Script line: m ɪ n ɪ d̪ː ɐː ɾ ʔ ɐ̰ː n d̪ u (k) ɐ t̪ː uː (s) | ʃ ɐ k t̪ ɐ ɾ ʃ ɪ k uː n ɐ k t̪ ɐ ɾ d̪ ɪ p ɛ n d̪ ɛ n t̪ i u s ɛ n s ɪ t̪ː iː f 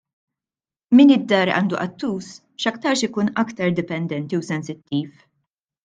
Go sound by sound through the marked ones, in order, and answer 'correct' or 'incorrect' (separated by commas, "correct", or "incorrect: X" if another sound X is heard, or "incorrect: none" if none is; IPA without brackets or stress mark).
incorrect: ʔ, correct